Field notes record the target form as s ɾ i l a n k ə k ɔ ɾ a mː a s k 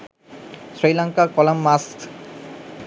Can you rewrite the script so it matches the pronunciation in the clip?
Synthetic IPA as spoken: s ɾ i l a ŋ k a k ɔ l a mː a s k